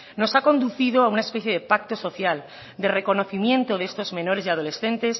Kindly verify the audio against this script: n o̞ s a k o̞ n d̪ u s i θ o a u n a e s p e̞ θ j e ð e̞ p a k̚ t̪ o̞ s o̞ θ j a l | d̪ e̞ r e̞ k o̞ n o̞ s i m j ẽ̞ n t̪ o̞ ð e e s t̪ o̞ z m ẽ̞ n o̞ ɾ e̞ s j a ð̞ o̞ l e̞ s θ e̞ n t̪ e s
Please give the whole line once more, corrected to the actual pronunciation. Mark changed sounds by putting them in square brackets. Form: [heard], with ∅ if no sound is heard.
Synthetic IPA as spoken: n o̞ s a k o̞ n d̪ u [θ] i [ð] o a u n a e s p e̞ θ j e ð e̞ p a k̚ t̪ o̞ s o̞ θ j a l | d̪ e̞ r e̞ k o̞ n o̞ [θ] i m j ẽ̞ n t̪ o̞ ð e e s t̪ o̞ z m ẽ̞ n o̞ ɾ e̞ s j a ð̞ o̞ l e̞ s θ e̞ n t̪ e s

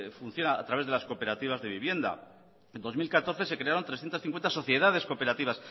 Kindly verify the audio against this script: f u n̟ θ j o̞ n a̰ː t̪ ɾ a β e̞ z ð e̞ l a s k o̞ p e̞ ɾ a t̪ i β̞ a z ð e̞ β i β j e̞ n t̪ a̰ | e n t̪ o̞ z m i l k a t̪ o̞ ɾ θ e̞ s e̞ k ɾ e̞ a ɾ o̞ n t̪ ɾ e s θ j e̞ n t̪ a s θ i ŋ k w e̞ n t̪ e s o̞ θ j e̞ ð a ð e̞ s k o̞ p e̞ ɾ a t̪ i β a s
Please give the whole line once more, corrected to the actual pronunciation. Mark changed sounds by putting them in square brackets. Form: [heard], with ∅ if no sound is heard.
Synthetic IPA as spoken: f u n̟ θ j o̞ n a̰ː t̪ ɾ a β e̞ z ð e̞ l a s k o̞ p e̞ ɾ a t̪ i β̞ a z ð e̞ β i β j e̞ n [d̪] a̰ | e n [d̪] o̞ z m i l k a t̪ o̞ ɾ θ e̞ s e̞ k ɾ e̞ a ɾ o̞ n t̪ ɾ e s θ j e̞ n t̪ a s θ i ŋ k w e̞ n t̪ [a] s o̞ θ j e̞ ð a ð e̞ s k o̞ p e̞ ɾ a t̪ i β a s

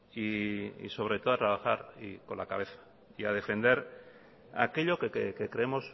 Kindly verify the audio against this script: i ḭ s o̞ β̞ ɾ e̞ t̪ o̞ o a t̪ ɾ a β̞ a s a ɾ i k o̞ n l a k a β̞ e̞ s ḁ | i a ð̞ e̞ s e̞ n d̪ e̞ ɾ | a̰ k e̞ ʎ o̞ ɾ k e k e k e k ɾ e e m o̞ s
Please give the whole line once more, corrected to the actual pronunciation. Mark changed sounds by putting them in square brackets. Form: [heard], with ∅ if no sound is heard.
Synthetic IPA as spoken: i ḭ s o̞ β̞ ɾ e̞ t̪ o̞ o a t̪ ɾ a β̞ a [x] a ɾ i k o̞ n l a k a β̞ e̞ [θ] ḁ | i a ð̞ e̞ [f] e̞ n d̪ e̞ ɾ | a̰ k e̞ ʎ o̞ [∅] k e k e k e k ɾ e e m o̞ s

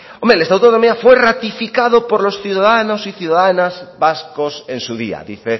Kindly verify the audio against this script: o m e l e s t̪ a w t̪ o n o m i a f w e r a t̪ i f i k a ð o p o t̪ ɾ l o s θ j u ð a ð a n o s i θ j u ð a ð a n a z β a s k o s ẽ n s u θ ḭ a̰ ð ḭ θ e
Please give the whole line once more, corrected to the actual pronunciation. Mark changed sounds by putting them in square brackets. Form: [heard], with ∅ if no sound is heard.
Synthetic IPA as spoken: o m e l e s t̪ a w t̪ o n o m i a f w e r a t̪ i f i k a ð o p o [∅] ɾ l o s θ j u ð a ð a n o s i θ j u ð a ð a n a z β a s k o s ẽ n s u [ð] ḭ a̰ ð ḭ θ e

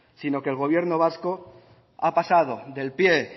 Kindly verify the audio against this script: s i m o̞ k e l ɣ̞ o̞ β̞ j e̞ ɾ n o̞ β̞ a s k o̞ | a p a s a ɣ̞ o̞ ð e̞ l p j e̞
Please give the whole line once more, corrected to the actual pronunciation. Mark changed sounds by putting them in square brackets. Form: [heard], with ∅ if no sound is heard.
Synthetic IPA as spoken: s i [n] o̞ k e l ɣ̞ o̞ β̞ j e̞ ɾ n o̞ β̞ a s k o̞ | a p a s a [ð̞] o̞ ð e̞ l p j e̞

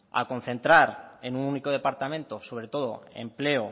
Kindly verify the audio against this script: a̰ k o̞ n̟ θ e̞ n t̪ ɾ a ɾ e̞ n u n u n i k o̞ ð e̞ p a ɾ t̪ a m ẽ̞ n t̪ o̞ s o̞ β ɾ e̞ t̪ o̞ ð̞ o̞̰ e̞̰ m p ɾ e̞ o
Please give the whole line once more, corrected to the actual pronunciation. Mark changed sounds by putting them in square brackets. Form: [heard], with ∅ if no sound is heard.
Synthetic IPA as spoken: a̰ k o̞ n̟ θ e̞ n t̪ ɾ a ɾ e̞ n u n u n i k o̞ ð e̞ p a ɾ t̪ a m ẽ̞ n t̪ o̞ s o̞ β ɾ e̞ t̪ o̞ ð̞ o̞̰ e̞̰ m p [l] e̞ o

